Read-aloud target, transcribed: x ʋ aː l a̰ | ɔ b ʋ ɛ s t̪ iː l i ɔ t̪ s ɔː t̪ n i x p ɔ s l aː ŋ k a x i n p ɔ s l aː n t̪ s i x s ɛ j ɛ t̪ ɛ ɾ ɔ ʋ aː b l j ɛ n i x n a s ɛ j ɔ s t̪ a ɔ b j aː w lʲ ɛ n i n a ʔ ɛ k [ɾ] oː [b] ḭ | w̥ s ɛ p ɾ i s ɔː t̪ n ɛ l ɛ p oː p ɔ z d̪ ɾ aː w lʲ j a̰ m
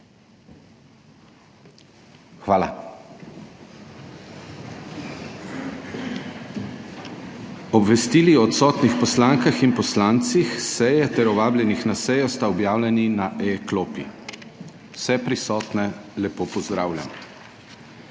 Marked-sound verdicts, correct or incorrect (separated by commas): incorrect, incorrect